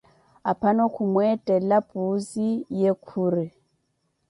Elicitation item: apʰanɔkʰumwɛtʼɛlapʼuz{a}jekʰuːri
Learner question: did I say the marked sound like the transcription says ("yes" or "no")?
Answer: no